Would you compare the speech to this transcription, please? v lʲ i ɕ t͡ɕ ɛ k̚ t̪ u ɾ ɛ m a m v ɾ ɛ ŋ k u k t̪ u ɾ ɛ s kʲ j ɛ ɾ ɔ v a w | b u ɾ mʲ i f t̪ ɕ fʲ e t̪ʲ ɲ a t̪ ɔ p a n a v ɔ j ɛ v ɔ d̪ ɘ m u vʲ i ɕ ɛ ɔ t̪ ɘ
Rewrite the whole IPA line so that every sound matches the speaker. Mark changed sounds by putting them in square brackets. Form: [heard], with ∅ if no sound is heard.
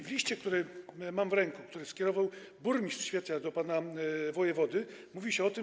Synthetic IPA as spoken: v lʲ i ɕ t͡ɕ ɛ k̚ t̪ u ɾ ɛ m a m v ɾ ɛ ŋ k u k t̪ u ɾ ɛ s kʲ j ɛ ɾ ɔ v a w | b u ɾ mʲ i [s] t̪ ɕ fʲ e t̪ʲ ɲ a [d̪] ɔ p a n a v ɔ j ɛ v ɔ d̪ ɘ m u vʲ i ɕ ɛ ɔ t̪ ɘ